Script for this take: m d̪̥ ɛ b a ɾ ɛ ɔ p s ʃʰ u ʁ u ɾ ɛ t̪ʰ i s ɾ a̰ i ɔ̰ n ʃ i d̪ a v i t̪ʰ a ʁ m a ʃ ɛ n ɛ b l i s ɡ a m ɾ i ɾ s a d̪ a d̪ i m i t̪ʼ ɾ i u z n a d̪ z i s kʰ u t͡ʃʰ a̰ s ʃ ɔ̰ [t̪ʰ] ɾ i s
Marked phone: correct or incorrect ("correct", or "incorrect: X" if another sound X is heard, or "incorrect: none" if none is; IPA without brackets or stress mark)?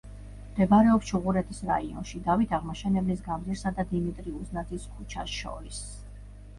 incorrect: none